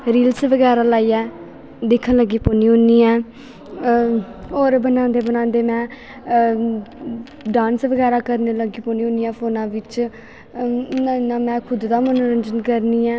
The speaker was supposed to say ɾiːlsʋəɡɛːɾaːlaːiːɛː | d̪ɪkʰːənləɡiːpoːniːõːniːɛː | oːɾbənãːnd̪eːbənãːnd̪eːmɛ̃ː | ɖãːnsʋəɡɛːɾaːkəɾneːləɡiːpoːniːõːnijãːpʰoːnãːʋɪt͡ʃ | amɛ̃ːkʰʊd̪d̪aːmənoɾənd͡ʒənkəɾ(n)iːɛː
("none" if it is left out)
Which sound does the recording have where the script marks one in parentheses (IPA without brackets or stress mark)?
n